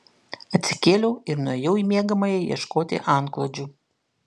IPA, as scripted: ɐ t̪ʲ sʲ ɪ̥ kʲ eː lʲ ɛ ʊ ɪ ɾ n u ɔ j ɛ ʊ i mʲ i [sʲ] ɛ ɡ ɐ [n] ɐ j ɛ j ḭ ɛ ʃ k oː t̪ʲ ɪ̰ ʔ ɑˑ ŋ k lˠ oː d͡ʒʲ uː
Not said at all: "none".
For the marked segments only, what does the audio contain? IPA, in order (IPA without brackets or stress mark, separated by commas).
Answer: none, m